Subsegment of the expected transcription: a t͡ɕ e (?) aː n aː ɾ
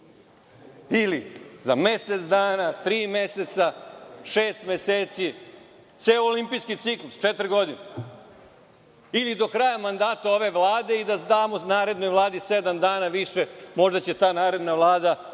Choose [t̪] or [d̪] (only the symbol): t̪